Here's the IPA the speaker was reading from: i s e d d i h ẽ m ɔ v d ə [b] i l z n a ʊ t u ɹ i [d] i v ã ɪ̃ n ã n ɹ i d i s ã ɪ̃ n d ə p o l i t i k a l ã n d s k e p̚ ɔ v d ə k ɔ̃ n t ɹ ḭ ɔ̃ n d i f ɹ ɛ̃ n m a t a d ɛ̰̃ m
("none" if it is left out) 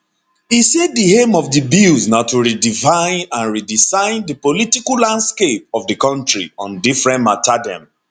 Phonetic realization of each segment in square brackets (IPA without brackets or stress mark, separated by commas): b, d